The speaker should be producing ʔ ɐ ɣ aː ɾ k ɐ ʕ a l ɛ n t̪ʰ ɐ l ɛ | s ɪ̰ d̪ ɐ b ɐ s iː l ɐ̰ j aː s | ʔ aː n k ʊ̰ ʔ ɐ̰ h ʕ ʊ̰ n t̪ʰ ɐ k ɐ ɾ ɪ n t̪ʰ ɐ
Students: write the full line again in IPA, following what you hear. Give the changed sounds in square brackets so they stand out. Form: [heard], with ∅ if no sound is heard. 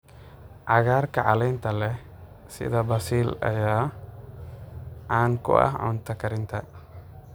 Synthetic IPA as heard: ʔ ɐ ɣ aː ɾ k ɐ ʕ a l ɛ n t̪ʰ ɐ l ɛ | s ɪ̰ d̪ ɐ b ɐ s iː l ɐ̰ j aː [∅] | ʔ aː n k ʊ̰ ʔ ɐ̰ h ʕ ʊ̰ n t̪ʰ ɐ k ɐ ɾ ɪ n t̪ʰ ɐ